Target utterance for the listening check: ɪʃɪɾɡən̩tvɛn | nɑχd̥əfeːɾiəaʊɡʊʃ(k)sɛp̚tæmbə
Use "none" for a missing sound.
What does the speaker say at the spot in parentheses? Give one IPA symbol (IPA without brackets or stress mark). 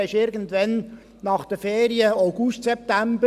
t